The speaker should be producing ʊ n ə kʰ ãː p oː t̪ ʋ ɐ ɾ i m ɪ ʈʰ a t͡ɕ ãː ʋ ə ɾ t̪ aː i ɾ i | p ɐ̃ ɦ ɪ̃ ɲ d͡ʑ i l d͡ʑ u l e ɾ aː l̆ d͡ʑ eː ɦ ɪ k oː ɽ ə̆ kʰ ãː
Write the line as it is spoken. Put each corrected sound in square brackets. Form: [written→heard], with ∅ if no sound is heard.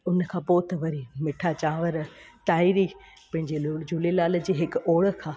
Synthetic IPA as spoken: ʊ n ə kʰ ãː p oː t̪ ʋ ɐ ɾ i m ɪ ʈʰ a t͡ɕ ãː ʋ ə ɾ t̪ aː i ɾ i | p ɐ̃ ɦ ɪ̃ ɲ d͡ʑ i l d͡ʑ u l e [ɾ→l] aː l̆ d͡ʑ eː ɦ ɪ k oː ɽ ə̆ kʰ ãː